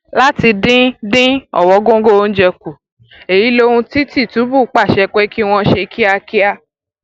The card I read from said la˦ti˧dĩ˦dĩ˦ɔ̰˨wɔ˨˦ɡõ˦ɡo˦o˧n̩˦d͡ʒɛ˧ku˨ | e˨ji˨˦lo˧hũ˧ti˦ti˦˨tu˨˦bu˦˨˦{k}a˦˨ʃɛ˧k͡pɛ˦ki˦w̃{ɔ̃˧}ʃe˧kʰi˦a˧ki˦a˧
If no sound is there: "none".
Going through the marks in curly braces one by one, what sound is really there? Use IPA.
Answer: k͡p, ɔ̃˧

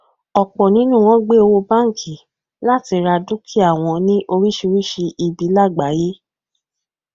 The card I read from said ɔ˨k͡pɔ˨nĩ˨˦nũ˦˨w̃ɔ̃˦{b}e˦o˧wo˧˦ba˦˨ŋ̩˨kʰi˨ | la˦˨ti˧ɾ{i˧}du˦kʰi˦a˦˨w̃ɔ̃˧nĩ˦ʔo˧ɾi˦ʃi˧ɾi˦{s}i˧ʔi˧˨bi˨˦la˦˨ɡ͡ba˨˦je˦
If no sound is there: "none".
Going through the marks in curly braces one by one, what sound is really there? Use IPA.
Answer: ɡ͡b, a˧, ʃ

